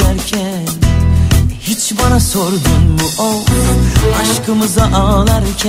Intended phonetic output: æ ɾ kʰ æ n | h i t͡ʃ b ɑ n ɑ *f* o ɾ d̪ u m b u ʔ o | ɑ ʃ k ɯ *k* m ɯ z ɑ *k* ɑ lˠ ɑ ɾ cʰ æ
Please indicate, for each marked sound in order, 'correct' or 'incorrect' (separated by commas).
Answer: incorrect, incorrect, incorrect